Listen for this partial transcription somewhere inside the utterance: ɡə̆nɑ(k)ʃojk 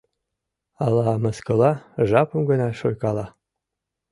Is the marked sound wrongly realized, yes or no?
yes